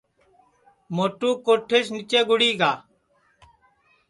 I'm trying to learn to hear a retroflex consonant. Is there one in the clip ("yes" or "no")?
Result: yes